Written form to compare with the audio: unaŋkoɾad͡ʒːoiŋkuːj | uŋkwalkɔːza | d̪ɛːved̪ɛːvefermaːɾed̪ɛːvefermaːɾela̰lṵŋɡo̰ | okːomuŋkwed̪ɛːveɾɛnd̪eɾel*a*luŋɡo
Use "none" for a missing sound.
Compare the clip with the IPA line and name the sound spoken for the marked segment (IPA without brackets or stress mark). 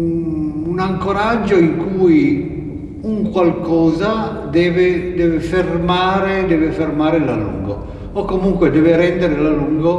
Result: a